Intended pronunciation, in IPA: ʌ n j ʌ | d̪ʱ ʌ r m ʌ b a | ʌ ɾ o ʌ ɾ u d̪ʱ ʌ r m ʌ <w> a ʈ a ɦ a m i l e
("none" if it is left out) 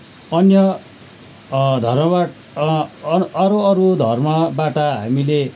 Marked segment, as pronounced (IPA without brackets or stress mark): b